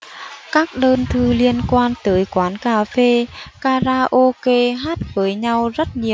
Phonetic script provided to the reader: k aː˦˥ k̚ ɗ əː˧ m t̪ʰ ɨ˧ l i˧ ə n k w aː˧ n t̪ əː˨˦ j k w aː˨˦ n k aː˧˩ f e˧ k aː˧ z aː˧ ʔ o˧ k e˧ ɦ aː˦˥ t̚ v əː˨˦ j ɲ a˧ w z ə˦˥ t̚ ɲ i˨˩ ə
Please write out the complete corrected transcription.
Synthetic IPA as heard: k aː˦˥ k̚ ɗ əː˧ n t̪ʰ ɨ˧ l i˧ ə n k w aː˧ n t̪ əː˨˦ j k w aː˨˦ n k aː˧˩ f e˧ k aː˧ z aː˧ ʔ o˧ k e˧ ɦ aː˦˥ t̚ v əː˨˦ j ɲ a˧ w z ə˦˥ t̚ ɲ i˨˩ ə

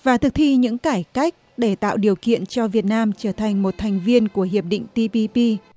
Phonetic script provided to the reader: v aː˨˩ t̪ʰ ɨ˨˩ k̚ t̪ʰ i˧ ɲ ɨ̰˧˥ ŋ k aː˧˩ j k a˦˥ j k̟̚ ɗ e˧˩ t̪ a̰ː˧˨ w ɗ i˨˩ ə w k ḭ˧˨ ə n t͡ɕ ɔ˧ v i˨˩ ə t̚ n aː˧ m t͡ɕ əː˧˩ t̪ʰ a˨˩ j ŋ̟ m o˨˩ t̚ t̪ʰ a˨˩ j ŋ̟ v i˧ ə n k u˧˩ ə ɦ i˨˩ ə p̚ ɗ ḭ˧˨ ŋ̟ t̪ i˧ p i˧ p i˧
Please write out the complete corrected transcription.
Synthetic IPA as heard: v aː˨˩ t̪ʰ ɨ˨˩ k̚ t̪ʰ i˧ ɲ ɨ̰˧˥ ŋ k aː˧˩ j k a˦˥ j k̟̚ ɗ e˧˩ t̪ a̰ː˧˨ w ɗ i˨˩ ə w k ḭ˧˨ ə n t͡ɕ ɔ˧ v i˨˩ ə t̚ n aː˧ m t͡ɕ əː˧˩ t̪ʰ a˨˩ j ŋ̟ m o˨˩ t̚ t̪ʰ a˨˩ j ŋ̟ v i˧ ə n k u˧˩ ə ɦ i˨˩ ə p̚ ɗ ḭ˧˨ ŋ̟ t̪ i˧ p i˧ p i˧

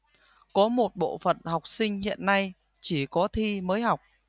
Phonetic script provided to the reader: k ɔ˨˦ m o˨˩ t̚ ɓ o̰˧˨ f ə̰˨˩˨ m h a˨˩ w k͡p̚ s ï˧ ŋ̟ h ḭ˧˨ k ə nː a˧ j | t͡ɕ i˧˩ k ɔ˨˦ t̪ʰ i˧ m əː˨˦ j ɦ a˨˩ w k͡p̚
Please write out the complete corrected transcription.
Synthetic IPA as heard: k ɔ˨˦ m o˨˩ t̚ ɓ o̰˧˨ f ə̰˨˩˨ n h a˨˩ w k͡p̚ s ï˧ ŋ̟ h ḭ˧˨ ə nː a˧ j | t͡ɕ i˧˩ k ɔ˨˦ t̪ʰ i˧ m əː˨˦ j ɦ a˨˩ w k͡p̚

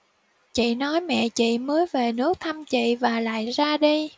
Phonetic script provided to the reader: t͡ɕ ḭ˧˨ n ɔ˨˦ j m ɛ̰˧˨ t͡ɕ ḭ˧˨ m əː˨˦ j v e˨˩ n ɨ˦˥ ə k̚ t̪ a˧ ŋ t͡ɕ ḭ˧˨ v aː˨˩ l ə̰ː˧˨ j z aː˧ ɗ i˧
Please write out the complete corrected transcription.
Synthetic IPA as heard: t͡ɕ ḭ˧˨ n ɔ˨˦ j m ɛ̰˧˨ t͡ɕ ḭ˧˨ m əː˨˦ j v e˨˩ n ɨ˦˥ ə k̚ t̪ʰ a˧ m t͡ɕ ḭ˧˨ v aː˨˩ l a̰ː˧˨ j z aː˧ ɗ i˧

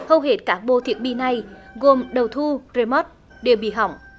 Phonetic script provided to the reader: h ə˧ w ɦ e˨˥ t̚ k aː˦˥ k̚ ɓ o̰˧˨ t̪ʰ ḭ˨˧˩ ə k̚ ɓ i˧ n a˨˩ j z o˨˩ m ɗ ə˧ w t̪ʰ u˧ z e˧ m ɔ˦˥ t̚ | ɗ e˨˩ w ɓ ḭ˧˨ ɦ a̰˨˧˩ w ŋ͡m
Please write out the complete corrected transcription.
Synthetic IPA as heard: h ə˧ w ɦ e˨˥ t̚ k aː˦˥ k̚ ɓ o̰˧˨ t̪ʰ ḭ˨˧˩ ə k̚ ɓ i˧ n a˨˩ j ɣ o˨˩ m ɗ ə˨˩ w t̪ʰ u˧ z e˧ m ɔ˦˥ t̚ | ɗ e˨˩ w ɓ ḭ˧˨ ɦ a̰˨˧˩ w ŋ͡m

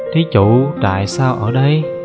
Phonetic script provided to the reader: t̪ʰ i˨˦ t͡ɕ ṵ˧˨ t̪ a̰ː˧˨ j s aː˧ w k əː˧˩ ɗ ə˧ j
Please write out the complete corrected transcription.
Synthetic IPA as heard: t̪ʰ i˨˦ t͡ɕ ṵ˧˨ t̪ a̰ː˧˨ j s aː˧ w ʔ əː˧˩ ɗ ə˧ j

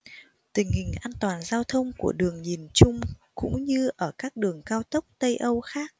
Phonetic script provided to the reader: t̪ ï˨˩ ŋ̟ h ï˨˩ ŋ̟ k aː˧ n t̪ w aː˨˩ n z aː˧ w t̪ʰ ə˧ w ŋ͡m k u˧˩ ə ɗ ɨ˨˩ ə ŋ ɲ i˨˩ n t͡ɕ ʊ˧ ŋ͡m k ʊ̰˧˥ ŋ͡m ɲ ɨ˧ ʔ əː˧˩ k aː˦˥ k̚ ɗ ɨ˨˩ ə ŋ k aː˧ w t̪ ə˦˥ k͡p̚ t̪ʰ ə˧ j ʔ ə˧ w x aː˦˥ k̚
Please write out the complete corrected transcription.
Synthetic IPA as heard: t̪ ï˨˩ ŋ̟ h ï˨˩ ŋ̟ ʔ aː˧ n t̪ w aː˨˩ n z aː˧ w t̪ʰ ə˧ w ŋ͡m k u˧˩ ə ɗ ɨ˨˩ ə ŋ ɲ i˨˩ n t͡ɕ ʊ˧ ŋ͡m k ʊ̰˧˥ ŋ͡m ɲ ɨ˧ ʔ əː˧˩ k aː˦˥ k̚ ɗ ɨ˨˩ ə ŋ k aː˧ w t̪ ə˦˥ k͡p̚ t̪ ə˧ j ʔ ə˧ w x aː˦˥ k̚

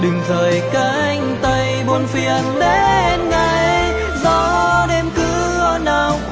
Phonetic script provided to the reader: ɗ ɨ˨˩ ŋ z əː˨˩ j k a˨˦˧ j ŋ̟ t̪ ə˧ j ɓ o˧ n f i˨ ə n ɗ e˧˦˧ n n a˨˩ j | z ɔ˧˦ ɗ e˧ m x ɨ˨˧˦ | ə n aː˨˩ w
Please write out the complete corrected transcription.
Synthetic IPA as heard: ɗ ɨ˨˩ ŋ z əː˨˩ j k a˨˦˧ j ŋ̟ t̪ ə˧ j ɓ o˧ n f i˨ ə n ɗ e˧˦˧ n ŋ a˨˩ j | z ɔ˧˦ ɗ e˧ m k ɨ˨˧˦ | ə n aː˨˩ w

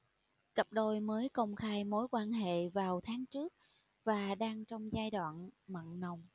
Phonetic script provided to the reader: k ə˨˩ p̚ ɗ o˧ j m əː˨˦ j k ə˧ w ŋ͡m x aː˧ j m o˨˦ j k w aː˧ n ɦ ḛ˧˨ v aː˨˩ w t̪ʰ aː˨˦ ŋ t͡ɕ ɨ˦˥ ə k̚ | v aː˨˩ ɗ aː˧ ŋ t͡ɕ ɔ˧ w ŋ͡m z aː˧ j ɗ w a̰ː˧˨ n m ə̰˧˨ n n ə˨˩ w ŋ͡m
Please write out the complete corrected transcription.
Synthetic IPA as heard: k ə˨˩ p̚ ɗ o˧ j m əː˨˦ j k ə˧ w ŋ͡m x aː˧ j m o˨˦ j k w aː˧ n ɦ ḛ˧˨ v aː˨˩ w t̪ʰ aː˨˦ ŋ t͡ɕ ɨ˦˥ ə k̚ | v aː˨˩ ɗ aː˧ ŋ t͡ɕ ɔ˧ w ŋ͡m z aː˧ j ɗ w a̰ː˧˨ n m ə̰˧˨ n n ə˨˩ w ŋ͡m

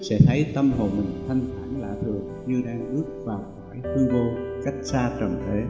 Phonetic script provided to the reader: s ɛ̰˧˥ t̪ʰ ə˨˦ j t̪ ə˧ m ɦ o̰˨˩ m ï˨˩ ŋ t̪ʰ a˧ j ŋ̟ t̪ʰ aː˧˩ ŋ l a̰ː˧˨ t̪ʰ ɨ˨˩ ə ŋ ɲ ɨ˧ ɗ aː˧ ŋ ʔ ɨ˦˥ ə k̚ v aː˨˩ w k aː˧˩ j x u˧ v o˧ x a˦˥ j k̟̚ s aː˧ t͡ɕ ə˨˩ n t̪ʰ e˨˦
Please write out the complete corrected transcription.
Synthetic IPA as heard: s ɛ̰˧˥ t̪ʰ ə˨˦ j t̪ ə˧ m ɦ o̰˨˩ m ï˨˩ ŋ t̪ʰ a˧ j ŋ̟ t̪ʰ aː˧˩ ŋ l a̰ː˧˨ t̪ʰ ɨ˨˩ ə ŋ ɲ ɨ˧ ɗ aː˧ ŋ ʔ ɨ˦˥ ə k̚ v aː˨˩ w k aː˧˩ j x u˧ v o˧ k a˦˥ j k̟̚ s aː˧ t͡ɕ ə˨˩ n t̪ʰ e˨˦

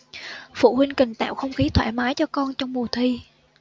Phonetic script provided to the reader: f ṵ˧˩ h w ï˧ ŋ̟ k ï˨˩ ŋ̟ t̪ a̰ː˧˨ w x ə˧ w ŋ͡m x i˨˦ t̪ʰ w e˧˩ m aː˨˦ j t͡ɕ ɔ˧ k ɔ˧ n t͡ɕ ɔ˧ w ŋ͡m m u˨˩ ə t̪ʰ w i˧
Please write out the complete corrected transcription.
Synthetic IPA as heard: f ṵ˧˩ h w ï˧ ŋ̟ k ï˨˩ ŋ̟ t̪ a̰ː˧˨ w x ə˧ w ŋ͡m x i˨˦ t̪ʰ w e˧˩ m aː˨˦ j t͡ɕ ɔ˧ k ɔ˧ n t͡ɕ ɔ˧ w ŋ͡m m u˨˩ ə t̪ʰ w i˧

